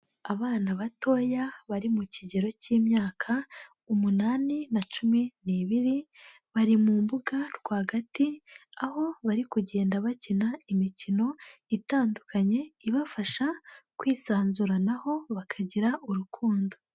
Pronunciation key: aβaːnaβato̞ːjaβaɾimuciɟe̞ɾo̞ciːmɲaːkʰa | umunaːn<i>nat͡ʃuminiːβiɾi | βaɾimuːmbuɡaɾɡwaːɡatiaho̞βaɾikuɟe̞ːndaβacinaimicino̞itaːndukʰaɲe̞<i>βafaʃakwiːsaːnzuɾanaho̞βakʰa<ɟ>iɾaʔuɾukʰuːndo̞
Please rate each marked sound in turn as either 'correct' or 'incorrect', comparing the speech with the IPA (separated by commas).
correct, correct, correct